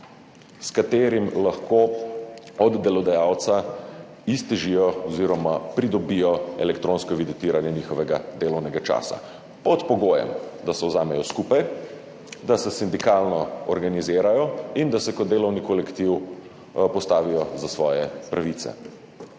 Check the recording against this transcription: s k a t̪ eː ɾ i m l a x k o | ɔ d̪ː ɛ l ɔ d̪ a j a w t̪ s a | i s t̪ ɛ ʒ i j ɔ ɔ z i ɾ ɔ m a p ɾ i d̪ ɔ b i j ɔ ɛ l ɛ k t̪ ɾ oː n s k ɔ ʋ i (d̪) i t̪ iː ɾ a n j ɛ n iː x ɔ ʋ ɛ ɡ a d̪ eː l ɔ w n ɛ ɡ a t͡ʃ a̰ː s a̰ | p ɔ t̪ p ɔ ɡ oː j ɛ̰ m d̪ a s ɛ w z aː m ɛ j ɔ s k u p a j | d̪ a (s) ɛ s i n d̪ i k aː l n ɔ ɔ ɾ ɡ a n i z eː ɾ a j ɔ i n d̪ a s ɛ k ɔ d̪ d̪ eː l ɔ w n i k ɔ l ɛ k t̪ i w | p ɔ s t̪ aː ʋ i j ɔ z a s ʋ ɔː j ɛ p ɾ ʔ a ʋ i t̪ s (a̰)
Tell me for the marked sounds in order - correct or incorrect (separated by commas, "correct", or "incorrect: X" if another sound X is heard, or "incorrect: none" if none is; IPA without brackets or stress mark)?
correct, correct, incorrect: ɛ̰